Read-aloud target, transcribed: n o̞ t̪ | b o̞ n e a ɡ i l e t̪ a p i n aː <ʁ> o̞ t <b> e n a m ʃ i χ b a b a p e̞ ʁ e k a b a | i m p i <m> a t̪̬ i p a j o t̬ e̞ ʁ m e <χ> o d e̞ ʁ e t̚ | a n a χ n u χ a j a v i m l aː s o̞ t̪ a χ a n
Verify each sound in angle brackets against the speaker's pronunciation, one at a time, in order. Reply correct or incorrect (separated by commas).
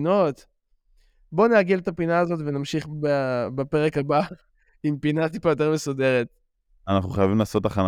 incorrect, incorrect, incorrect, incorrect